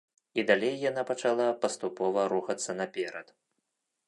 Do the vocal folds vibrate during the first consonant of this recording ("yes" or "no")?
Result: yes